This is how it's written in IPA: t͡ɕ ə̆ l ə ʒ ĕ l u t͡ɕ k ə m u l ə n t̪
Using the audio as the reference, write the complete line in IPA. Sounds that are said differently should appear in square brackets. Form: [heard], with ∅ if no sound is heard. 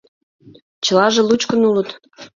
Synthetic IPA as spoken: t͡ɕ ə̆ l [ɑ] ʒ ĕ l u t͡ɕ k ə [n] u l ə [∅] t̪